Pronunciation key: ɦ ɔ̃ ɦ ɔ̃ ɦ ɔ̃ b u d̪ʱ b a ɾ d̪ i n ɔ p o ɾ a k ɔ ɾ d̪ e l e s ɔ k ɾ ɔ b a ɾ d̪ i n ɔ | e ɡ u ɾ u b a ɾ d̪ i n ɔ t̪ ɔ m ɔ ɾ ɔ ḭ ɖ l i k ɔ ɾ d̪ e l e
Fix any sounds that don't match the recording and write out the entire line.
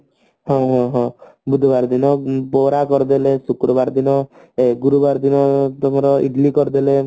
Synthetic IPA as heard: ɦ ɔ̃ ɦ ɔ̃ ɦ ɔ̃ b u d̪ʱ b a ɾ d̪ i n ɔ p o ɾ a k ɔ ɾ d̪ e l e s u k ɾ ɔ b a ɾ d̪ i n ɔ | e ɡ u ɾ u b a ɾ d̪ i n ɔ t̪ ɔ m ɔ ɾ ɔ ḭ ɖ l i k ɔ ɾ d̪ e l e